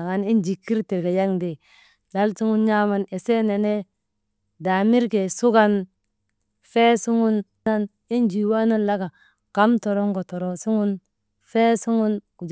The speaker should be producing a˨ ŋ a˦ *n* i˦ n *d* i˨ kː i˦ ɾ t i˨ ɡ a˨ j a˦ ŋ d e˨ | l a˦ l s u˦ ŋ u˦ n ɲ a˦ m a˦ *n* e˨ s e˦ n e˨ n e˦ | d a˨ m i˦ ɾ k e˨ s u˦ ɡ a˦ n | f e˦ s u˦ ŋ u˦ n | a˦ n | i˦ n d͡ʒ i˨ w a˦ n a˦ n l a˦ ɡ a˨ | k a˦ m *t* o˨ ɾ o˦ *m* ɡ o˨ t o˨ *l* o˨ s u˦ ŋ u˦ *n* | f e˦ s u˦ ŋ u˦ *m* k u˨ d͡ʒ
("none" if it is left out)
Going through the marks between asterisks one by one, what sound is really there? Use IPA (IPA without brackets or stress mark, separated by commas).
n, d͡ʒ, n, t, ŋ, ɾ, n, n